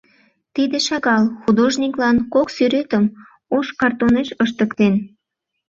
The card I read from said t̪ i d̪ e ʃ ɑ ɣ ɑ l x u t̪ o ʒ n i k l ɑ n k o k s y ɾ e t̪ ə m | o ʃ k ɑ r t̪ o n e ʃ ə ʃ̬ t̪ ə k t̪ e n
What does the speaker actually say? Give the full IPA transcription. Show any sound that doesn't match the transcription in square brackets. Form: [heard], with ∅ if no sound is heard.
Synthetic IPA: t̪ i d̪ e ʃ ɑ ɣ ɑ l x u [d̪] o ʒ n i k l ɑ n k o k s y ɾ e t̪ ə m | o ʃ k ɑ r t̪ o n e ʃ ə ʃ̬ t̪ ə k t̪ e n

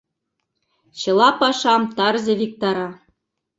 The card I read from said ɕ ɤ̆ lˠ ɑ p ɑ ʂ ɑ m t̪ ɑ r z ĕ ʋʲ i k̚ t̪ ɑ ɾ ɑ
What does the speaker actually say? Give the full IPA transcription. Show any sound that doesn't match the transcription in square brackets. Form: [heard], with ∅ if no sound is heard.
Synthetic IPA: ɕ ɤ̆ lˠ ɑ p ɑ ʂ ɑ m t̪ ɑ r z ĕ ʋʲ i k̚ t̪ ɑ ɾ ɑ

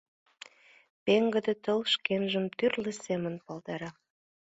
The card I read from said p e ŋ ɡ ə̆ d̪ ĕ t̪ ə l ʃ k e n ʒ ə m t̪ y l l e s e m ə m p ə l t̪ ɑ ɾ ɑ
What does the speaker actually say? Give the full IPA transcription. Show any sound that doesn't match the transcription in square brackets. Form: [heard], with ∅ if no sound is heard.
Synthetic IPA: p e ŋ ɡ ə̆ d̪ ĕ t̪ ə l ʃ k e n ʒ ə m t̪ y [r] l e s e m ə [n] p [ɑ] l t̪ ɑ ɾ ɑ

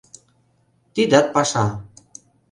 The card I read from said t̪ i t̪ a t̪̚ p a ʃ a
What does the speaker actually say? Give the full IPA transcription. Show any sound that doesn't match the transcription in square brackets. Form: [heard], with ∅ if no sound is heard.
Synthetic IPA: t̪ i [d̪] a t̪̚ p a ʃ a

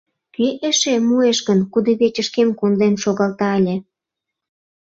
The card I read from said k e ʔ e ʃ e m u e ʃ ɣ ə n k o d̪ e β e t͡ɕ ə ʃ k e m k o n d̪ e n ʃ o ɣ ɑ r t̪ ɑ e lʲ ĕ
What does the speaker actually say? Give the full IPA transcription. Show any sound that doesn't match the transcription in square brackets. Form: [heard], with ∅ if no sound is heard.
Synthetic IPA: k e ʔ e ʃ e m u e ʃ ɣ ə n k [u] d̪ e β e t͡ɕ ə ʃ k e m k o n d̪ e n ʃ o ɣ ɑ [l] t̪ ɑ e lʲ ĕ

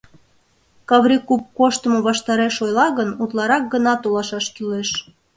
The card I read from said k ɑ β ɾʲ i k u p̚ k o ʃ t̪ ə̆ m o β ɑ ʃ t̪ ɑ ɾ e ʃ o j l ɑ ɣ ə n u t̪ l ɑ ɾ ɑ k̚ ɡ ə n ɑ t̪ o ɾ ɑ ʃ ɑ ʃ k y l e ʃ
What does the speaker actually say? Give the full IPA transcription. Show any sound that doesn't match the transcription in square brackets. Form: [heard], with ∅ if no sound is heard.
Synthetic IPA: k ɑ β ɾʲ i k u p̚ k o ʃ t̪ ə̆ m o β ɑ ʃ t̪ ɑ ɾ e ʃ o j l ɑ ɣ ə n u t̪ l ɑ ɾ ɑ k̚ ɡ ə n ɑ t̪ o [l] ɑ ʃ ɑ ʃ k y l e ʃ

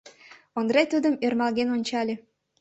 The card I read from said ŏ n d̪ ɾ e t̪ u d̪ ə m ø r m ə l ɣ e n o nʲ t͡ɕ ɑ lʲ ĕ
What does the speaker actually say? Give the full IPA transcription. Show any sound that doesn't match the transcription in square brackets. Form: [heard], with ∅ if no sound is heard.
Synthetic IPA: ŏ n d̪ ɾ e t̪ u d̪ ə m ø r m [ɑ] l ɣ e n o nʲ t͡ɕ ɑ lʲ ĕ

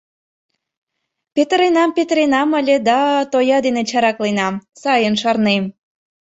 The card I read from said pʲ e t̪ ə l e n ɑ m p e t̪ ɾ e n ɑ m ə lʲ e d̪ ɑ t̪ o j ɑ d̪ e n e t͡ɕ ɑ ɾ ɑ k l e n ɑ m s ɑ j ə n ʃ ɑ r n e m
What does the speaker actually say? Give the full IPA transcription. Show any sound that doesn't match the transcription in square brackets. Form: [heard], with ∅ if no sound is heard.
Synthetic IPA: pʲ e t̪ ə [ɾ] e n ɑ m p e t̪ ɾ e n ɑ m ə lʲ e d̪ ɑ t̪ o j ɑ d̪ e n e t͡ɕ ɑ ɾ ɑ k l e n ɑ m s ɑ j ə n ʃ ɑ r n e m

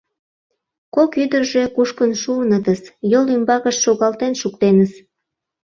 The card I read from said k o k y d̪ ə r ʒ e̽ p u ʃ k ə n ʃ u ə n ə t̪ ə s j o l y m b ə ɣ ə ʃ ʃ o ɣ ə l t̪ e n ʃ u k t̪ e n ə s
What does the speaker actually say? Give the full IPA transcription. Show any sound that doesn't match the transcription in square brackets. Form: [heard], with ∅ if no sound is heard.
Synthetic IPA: k o k y d̪ ə r ʒ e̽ [k] u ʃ k ə n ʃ u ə n ə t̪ ə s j o l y m b [ɑ] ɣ ə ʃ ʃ o ɣ [ɑ] l t̪ e n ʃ u k t̪ e n ə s

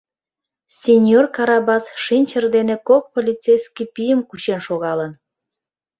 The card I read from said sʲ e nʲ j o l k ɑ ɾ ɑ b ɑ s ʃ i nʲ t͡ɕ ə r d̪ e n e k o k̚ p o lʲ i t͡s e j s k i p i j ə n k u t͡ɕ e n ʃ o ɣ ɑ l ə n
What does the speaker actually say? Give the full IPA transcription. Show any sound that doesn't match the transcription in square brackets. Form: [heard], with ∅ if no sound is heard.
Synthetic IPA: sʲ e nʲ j o [r] k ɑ ɾ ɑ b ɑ s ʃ i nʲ t͡ɕ ə r d̪ e n e k o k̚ p o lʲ i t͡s e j s k i p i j ə [m] k u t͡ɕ e n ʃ o ɣ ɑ l ə n

